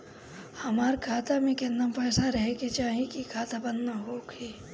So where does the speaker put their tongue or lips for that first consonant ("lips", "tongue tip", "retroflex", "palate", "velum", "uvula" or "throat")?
throat